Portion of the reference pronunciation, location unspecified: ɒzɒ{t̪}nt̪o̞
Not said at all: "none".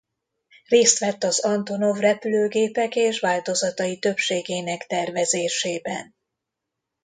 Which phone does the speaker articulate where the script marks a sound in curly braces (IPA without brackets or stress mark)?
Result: none